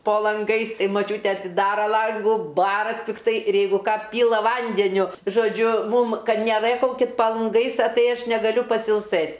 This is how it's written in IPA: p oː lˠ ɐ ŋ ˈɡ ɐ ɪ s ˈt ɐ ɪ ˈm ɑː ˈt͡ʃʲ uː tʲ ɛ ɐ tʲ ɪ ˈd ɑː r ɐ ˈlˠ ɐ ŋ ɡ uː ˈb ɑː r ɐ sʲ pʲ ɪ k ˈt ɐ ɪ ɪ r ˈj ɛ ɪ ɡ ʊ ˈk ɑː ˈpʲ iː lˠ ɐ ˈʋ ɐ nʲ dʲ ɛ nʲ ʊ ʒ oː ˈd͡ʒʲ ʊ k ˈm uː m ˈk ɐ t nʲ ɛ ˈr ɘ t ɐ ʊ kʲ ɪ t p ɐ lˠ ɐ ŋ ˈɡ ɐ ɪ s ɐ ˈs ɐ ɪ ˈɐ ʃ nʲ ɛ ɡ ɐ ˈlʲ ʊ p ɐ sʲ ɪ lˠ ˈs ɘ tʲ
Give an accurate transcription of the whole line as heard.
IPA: p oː lˠ ɐ ŋ ˈɡ ɐ ɪ s ˈt ɐ ɪ ˈm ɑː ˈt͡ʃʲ uː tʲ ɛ ɐ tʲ ɪ ˈd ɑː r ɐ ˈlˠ ɐ ŋ ɡ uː ˈb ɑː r ɐ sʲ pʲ ɪ k ˈt ɐ ɪ ɪ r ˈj ɛ ɪ ɡ ʊ ˈk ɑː ˈpʲ iː lˠ ɐ ˈʋ ɐ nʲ dʲ ɛ nʲ ʊ ʒ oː ˈd͡ʒʲ ʊ ˈm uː m ˈk ɐ t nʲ ɛ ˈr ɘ k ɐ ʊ kʲ ɪ t p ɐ lˠ ɐ ŋ ˈɡ ɐ ɪ s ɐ ˈt ɐ ɪ ˈɐ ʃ nʲ ɛ ɡ ɐ ˈlʲ ʊ p ɐ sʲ ɪ lˠ ˈs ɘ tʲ